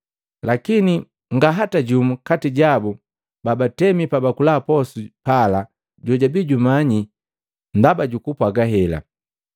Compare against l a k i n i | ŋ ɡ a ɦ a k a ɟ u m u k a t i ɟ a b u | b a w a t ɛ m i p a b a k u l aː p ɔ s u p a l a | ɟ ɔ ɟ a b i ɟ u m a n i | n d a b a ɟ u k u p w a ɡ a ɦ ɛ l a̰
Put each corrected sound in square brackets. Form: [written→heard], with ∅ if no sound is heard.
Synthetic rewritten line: l a k i n i | ŋ ɡ a ɦ a [k→t] a ɟ u m u k a t i ɟ a b u | b a [w→b] a t ɛ m i p a b a k u l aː p ɔ s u p a l a | ɟ ɔ ɟ a b i ɟ u m a [n→ɲ] i | n d a b a ɟ u k u p w a ɡ a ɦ ɛ l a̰